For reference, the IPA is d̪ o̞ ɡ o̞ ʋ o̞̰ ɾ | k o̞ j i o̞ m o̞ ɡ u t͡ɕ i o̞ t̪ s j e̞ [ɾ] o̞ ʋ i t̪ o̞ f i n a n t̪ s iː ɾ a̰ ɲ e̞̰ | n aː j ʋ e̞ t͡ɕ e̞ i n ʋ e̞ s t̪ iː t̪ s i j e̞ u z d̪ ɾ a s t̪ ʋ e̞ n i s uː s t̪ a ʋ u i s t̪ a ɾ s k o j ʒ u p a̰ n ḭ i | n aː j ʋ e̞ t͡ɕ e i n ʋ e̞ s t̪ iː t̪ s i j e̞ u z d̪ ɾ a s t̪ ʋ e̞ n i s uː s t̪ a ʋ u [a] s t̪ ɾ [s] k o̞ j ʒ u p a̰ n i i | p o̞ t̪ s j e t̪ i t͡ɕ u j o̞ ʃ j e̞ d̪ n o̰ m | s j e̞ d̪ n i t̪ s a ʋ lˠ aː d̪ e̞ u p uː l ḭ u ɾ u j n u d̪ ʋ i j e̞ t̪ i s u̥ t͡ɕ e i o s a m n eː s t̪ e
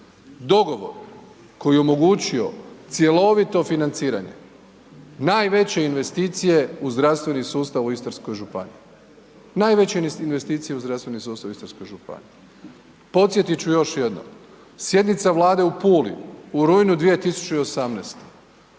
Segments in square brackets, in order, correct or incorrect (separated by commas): incorrect, incorrect, correct